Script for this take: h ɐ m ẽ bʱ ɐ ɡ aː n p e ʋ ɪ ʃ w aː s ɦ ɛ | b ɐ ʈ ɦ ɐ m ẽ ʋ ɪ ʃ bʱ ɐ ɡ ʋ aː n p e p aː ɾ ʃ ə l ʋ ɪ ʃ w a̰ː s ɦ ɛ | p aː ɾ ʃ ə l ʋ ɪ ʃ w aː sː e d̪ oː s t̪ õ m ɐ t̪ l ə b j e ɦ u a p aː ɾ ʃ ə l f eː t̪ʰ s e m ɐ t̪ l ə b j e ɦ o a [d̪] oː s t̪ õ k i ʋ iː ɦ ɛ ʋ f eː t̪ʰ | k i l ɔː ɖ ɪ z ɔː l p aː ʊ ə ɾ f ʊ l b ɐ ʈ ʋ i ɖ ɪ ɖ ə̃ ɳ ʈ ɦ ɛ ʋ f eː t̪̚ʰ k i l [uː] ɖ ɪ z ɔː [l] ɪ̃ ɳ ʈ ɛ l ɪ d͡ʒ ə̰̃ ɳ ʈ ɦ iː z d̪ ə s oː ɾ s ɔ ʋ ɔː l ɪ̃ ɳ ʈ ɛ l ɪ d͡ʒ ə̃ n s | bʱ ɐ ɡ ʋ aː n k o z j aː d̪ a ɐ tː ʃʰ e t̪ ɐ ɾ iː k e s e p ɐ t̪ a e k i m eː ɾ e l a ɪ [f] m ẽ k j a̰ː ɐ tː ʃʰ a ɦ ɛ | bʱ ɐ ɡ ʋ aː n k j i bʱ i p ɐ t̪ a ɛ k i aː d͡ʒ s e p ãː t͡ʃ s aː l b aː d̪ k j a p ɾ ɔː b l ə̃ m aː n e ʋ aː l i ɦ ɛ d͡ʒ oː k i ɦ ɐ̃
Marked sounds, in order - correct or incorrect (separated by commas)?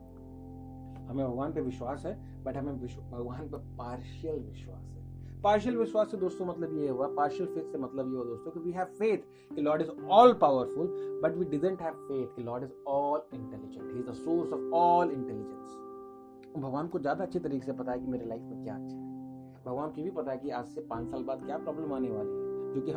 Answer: correct, incorrect, correct, correct